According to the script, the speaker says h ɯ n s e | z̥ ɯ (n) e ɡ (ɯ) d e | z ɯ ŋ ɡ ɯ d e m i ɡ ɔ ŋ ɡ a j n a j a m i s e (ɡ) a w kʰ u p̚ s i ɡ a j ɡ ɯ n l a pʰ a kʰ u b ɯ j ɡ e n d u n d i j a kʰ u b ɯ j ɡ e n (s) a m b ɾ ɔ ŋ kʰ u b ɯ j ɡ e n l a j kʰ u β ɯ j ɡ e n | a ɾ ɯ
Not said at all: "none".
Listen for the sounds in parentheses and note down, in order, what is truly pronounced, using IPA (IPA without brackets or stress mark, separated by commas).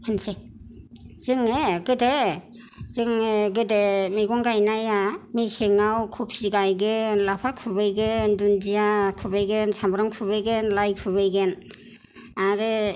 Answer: ŋ, ɯ, ŋ, s